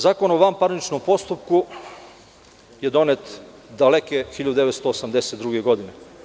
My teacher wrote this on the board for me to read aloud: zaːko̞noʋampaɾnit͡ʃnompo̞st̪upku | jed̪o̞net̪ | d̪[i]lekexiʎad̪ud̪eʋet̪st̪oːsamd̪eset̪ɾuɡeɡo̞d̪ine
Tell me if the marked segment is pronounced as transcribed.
no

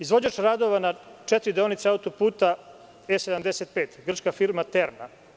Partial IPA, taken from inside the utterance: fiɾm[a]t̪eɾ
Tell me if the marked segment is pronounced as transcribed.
yes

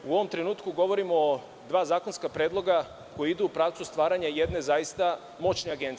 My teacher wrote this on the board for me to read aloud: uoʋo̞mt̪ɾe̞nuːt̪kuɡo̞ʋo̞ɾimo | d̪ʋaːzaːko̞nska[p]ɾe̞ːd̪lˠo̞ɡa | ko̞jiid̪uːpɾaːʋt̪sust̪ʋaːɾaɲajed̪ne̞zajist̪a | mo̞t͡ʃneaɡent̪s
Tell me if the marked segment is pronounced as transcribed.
yes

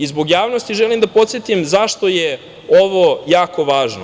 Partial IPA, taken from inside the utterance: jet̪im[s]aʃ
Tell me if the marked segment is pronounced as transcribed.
no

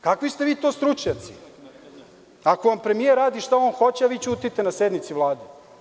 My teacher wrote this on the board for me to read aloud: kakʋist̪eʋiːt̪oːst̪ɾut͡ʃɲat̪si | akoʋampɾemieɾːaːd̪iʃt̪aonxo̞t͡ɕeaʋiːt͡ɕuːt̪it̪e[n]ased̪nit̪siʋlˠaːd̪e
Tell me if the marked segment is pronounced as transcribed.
yes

